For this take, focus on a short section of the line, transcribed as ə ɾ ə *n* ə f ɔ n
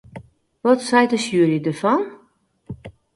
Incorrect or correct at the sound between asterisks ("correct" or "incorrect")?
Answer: incorrect